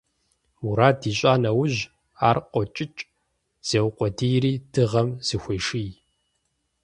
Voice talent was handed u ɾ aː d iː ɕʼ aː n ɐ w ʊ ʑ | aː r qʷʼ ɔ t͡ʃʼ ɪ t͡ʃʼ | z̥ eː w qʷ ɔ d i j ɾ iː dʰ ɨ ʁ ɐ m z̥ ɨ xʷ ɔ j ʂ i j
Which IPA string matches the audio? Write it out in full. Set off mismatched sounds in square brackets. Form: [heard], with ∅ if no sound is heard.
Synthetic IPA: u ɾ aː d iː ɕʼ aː n ɐ w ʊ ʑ | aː r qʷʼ ɔ t͡ʃʼ ɪ t͡ʃʼ | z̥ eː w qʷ ɔ d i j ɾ iː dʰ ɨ ʁ ɐ m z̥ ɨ xʷ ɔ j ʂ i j